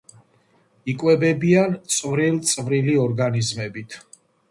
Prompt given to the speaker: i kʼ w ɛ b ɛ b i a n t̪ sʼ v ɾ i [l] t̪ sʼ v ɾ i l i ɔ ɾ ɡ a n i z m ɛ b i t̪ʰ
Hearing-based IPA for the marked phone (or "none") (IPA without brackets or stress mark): l